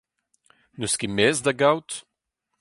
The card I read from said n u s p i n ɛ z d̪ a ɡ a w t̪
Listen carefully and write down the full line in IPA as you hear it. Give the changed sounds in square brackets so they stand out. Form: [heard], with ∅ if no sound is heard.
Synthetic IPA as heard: n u s [k] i [m] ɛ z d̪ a ɡ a w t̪